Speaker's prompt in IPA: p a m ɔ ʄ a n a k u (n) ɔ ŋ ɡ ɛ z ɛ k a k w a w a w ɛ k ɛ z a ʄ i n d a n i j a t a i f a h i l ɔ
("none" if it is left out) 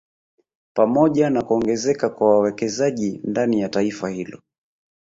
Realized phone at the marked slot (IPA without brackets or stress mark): none